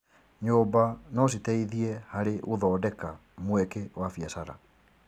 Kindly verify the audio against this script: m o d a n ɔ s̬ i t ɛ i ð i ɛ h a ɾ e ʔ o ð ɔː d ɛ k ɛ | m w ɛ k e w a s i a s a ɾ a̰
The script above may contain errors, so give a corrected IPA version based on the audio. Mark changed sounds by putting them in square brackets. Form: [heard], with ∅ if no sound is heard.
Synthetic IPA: [ɲ] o [b] a n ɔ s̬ i t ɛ i ð i ɛ h a ɾ e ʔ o ð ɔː d ɛ k [a] | m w ɛ k e w a [f] i a s a ɾ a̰

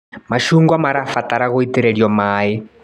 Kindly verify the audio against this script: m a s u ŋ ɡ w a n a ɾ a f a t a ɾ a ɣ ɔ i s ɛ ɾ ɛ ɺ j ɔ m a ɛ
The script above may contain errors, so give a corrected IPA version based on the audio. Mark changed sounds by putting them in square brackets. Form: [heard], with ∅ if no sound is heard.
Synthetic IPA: m a [ʃ] u ŋ ɡ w a [m] a ɾ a f a t a ɾ a ɣ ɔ i [t] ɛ ɾ ɛ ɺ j ɔ m a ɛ

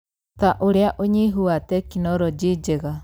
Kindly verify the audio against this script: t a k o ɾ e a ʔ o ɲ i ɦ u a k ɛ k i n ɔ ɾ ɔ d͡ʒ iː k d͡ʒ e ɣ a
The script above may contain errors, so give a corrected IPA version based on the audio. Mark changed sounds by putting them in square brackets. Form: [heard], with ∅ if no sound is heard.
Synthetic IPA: t a [ʔ] o ɾ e a ʔ o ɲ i ɦ u a [t] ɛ k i n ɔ ɾ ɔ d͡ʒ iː [∅] d͡ʒ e ɣ a

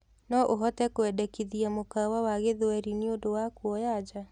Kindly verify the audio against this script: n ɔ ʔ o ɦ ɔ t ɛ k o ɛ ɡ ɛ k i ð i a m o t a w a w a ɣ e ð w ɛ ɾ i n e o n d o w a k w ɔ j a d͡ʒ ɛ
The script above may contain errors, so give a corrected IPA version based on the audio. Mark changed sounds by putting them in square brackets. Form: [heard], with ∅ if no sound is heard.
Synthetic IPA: n ɔ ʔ o ɦ ɔ t ɛ k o ɛ [d] ɛ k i ð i a m o [k] a w a w a ɣ e ð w ɛ ɾ i n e o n d o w a k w ɔ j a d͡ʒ [a]

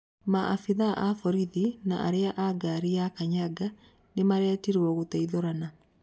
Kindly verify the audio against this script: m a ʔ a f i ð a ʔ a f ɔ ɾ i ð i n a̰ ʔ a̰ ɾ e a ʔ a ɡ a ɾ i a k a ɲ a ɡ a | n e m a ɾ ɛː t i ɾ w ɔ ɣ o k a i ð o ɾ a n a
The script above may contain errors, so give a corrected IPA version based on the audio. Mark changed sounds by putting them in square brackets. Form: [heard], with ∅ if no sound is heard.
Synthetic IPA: m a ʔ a f i ð a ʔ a f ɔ ɾ i ð i n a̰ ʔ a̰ ɾ e a ʔ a ɡ a ɾ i a k a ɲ a ɡ a | n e m a ɾ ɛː t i ɾ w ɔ ɣ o [t] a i ð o ɾ a n a

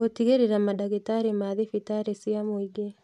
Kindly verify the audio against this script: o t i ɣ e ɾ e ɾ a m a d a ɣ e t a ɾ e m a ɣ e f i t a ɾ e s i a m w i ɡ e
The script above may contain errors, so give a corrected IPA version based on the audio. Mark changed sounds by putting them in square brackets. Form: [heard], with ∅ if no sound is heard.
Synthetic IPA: o t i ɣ e ɾ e ɾ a m a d a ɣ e t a ɾ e m a [ð] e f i t a ɾ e s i a m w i ɡ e

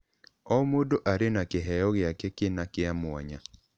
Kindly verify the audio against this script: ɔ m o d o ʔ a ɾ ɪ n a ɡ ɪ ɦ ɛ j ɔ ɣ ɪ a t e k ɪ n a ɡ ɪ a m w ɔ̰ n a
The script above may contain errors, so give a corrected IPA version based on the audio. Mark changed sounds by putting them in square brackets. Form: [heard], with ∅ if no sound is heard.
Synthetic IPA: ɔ m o d o ʔ a ɾ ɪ n a [k] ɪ ɦ ɛ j ɔ ɣ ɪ a [k] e k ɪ n a [k] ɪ a m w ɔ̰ [ɲ] a

